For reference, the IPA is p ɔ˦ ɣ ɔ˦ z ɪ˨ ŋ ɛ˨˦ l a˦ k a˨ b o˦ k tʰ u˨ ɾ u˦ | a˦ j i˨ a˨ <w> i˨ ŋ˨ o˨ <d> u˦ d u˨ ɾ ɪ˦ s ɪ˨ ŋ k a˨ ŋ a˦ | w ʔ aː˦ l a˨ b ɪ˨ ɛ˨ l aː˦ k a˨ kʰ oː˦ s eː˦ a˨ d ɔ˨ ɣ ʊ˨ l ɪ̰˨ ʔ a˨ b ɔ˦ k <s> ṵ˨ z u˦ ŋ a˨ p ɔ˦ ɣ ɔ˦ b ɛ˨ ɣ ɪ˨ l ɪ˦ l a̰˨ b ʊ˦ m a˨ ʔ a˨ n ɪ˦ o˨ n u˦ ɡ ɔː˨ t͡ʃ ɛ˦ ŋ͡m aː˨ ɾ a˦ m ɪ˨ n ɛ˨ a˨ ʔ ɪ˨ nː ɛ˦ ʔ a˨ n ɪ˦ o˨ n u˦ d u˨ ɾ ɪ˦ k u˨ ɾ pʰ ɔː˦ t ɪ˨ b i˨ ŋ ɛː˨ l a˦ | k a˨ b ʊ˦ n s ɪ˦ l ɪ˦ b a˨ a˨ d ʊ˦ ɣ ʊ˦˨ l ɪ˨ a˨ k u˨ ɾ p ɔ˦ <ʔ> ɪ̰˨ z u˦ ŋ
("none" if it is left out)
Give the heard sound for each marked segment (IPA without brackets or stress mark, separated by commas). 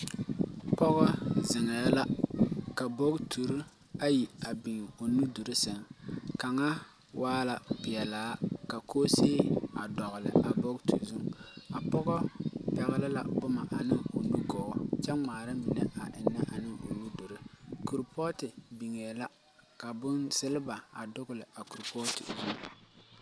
b, n, t, t